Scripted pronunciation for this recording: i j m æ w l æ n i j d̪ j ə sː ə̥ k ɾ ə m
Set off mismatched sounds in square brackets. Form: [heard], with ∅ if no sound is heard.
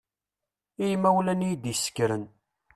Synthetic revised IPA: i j m æ w l æ n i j d̪ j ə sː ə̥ k ɾ ə [n]